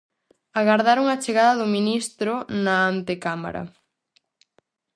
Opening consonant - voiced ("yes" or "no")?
yes